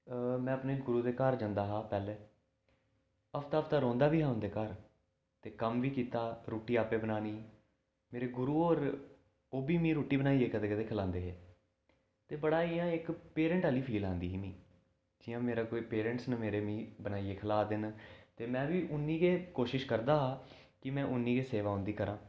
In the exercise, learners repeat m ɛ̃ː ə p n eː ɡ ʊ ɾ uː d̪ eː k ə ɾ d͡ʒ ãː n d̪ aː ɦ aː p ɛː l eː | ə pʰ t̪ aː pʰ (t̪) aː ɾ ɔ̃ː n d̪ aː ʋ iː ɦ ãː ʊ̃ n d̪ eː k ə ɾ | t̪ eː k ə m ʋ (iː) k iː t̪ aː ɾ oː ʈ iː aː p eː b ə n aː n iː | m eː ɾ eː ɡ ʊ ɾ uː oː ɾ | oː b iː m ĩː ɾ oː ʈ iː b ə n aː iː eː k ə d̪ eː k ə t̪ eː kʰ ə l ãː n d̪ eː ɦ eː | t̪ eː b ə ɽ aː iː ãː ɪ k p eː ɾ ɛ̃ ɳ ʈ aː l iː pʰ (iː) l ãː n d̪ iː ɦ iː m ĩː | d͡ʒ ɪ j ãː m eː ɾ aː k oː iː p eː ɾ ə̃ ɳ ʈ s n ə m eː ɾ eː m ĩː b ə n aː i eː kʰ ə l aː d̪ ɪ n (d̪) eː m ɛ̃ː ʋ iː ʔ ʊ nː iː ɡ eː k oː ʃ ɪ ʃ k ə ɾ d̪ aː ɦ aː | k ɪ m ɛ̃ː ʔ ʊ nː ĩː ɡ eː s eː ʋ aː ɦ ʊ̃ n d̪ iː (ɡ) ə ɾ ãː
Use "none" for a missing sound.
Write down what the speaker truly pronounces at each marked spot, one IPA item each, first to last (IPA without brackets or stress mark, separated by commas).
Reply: t̪, iː, iː, t̪, k